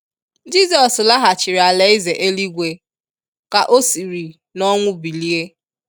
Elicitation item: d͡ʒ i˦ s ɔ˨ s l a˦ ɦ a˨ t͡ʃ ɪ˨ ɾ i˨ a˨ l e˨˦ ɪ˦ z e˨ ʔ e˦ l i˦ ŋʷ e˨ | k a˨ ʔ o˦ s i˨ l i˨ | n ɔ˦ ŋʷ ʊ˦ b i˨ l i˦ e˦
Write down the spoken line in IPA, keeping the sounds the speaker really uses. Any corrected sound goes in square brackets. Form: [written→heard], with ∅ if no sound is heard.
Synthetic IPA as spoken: d͡ʒ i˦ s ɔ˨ s l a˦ ɦ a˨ t͡ʃ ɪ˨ ɾ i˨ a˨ l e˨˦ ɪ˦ z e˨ ʔ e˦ l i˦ [ŋʷ→ɡʷ] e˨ | k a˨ ʔ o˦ s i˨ [l→ɾ] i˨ | n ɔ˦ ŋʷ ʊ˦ b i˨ l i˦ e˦